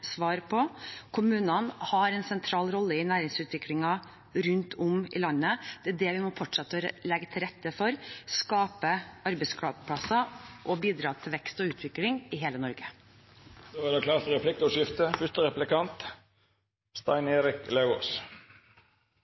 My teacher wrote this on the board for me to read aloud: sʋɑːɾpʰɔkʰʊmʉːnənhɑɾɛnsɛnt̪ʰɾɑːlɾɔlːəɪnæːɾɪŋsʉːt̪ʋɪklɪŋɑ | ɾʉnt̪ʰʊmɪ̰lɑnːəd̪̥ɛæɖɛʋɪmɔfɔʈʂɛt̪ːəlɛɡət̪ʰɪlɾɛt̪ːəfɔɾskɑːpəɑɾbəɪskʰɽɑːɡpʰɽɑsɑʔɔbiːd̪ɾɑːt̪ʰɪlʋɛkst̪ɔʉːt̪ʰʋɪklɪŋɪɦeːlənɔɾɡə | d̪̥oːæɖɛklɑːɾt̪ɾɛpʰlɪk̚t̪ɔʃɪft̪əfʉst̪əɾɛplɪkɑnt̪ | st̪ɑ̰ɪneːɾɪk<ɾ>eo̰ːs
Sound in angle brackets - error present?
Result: yes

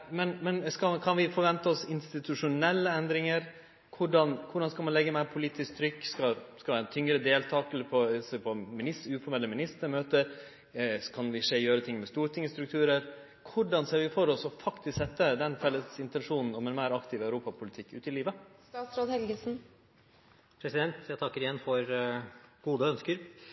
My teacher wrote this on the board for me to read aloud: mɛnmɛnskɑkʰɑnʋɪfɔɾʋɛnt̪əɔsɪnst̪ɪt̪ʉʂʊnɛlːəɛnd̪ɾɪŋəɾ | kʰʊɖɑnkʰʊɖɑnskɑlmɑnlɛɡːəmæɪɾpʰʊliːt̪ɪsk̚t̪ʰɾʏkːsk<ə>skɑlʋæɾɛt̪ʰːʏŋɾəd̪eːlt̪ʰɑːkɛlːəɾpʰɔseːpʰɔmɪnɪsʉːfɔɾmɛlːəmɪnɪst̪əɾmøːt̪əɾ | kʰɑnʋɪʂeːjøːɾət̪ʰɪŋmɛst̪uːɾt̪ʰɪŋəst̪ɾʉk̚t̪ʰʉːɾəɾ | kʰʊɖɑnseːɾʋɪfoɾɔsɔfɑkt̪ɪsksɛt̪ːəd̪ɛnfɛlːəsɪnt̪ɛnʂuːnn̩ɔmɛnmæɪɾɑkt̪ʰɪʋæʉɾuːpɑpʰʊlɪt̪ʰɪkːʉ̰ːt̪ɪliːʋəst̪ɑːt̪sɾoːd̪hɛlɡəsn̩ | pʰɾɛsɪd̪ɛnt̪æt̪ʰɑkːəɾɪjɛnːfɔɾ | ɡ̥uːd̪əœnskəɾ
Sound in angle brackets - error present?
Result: yes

